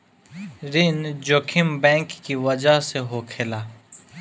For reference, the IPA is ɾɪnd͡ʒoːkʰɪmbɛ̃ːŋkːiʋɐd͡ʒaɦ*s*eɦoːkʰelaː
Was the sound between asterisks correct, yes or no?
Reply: yes